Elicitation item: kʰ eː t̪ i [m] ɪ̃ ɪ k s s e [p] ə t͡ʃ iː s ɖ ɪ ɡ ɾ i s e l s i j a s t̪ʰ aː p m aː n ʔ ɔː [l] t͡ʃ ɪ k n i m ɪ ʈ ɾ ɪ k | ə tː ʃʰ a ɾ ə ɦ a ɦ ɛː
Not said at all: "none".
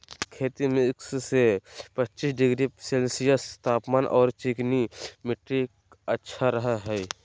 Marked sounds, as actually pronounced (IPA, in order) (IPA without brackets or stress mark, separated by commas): m, p, ɾ